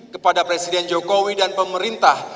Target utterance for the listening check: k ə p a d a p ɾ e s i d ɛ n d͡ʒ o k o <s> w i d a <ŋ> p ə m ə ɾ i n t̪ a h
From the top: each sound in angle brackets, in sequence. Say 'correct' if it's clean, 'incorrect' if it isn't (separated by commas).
incorrect, incorrect